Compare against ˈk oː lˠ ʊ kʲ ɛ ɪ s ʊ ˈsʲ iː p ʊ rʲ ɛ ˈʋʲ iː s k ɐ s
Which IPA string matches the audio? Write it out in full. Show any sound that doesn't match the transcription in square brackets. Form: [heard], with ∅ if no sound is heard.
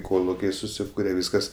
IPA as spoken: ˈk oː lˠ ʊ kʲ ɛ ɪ s ʊ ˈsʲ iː [k] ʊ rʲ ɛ ˈʋʲ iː s k ɐ s

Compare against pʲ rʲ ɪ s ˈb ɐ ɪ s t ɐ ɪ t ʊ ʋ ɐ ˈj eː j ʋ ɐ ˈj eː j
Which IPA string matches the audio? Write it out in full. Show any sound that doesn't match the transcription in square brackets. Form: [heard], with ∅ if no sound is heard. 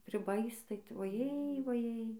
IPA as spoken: pʲ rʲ ɪ [∅] ˈb ɐ ɪ s t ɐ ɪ t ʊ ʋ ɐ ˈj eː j ʋ ɐ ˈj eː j

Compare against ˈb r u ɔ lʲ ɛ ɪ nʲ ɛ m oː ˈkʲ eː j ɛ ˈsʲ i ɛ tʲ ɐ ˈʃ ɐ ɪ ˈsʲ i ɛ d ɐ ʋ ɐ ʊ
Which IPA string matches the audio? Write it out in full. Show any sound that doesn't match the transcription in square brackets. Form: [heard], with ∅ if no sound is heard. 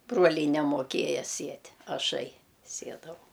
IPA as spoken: ˈb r u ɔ lʲ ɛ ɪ nʲ ɛ m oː ˈkʲ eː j ɛ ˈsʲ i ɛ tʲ ɐ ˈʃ ɐ ɪ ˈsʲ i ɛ d ɐ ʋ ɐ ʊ

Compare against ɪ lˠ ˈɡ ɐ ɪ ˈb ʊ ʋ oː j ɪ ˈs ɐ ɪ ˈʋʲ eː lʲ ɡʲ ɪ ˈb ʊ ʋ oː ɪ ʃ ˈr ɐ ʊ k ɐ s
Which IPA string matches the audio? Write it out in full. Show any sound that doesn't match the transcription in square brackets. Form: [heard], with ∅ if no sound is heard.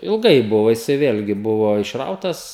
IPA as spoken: ɪ lˠ ˈɡ ɐ ɪ ˈb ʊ ʋ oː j ɪ ˈs ɐ ɪ ˈʋʲ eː lʲ ɡʲ ɪ ˈb ʊ ʋ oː ɪ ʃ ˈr ɐ ʊ [t] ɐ s

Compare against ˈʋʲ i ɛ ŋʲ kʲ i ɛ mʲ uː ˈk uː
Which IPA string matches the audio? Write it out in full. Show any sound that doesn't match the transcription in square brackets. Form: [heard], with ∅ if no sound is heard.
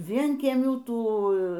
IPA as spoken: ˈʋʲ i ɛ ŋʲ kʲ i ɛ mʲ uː [ˈt] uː

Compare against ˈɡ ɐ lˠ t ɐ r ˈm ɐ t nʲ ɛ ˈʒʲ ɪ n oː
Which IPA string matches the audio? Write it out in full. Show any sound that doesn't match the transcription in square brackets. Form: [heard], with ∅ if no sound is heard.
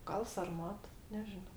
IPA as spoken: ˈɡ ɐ lˠ [s] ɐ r ˈm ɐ t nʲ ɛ ˈʒʲ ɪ n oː

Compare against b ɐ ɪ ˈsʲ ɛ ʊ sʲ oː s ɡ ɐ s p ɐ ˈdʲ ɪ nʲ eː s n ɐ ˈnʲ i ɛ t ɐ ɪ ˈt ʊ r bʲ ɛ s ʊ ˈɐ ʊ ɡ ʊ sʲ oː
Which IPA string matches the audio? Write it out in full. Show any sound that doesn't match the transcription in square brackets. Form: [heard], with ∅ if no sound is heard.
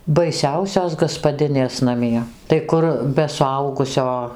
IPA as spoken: b ɐ ɪ ˈsʲ ɛ ʊ sʲ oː s ɡ ɐ s p ɐ ˈdʲ ɪ nʲ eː s n ɐ [ˈmʲ] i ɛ t ɐ ɪ [ˈk] ʊ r bʲ ɛ s ʊ ˈɐ ʊ ɡ ʊ sʲ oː

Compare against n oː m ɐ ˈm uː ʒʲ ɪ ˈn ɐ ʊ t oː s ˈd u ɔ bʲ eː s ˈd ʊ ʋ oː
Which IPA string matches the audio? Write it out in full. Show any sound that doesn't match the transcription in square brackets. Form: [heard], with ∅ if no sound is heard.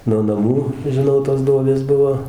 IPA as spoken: n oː [n] ɐ ˈm uː ʒʲ ɪ ˈn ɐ ʊ t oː s ˈd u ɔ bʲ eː s [ˈb] ʊ ʋ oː

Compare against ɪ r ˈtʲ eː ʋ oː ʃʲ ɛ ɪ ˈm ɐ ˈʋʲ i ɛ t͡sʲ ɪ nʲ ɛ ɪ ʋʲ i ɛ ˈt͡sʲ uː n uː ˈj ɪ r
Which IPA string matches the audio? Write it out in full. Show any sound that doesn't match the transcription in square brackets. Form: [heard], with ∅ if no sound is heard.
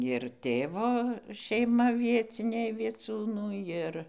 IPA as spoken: ɪ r ˈtʲ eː ʋ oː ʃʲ ɛ ɪ ˈm ɐ ˈʋʲ i ɛ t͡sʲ ɪ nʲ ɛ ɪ ʋʲ i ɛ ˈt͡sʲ uː n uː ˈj ɪ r

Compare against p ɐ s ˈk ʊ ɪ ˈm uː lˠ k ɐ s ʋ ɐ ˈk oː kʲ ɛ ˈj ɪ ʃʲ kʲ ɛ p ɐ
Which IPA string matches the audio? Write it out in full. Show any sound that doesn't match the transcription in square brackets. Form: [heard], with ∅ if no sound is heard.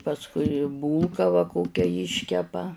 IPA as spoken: p ɐ s ˈk ʊ ɪ [ˈb] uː lˠ k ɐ [∅] ʋ ɐ ˈk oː kʲ ɛ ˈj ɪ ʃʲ kʲ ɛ p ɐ

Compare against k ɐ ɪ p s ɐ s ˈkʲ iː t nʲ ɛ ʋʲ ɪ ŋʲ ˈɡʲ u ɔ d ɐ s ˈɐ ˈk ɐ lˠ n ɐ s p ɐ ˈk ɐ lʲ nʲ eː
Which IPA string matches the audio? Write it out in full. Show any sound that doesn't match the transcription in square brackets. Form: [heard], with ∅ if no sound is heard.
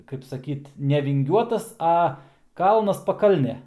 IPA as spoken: k ɐ ɪ p s ɐ [∅] ˈkʲ iː t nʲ ɛ ʋʲ ɪ ŋʲ ˈɡʲ u ɔ [t] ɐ s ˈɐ ˈk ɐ lˠ n ɐ s p ɐ ˈk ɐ lʲ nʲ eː

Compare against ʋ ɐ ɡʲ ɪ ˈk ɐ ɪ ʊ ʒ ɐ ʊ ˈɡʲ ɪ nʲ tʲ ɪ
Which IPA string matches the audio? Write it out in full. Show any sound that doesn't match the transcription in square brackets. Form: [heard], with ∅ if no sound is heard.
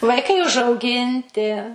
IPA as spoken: ʋ ɐ [∅] ɪ ˈk ɐ ɪ ʊ ʒ ɐ ʊ ˈɡʲ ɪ nʲ tʲ ɪ

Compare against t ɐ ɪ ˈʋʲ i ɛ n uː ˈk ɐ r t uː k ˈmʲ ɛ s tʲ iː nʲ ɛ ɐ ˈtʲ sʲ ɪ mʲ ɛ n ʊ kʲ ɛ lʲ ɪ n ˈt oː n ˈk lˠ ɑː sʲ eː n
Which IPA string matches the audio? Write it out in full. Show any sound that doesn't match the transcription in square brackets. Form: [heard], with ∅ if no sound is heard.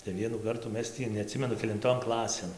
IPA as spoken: t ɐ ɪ ˈʋʲ i ɛ n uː ˈk ɐ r t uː [∅] ˈmʲ ɛ s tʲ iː nʲ ɛ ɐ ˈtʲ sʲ ɪ mʲ ɛ n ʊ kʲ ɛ lʲ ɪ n ˈt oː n ˈk lˠ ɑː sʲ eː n

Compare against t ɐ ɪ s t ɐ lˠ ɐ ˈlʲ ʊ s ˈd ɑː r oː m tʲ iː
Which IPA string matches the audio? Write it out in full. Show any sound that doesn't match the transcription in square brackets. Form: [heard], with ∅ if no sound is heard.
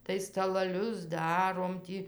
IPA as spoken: t ɐ ɪ s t ɐ lˠ ɐ ˈlʲ ʊ s ˈd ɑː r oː m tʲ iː

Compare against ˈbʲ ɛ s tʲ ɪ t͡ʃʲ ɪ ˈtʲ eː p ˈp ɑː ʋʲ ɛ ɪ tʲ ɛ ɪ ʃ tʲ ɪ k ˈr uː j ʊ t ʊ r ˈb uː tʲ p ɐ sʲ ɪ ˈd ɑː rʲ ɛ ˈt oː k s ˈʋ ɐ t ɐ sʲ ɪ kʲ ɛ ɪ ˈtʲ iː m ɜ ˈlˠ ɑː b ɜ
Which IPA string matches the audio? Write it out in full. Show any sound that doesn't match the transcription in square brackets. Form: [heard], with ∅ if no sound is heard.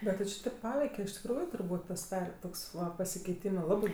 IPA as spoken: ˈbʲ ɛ [t] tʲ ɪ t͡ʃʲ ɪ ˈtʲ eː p ˈp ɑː ʋʲ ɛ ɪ [kʲ] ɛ ɪ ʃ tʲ ɪ k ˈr uː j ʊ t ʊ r ˈb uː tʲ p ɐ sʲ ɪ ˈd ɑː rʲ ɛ ˈt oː k s ˈʋ ɐ [p] ɐ sʲ ɪ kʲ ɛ ɪ ˈtʲ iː m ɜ ˈlˠ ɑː b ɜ

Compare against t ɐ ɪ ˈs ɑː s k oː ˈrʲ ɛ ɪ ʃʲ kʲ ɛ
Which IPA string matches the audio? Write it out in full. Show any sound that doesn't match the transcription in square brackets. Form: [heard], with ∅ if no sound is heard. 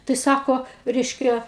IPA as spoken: t ɐ ɪ ˈs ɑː [∅] k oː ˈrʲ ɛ ɪ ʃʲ kʲ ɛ

